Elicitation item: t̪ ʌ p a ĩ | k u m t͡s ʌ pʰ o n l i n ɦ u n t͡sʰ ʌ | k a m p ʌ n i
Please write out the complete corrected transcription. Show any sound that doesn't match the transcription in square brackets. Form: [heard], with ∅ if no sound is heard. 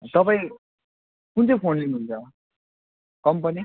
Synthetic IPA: t̪ ʌ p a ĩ | k u [n] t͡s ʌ pʰ o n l i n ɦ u n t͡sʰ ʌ | k [ʌ] m p ʌ n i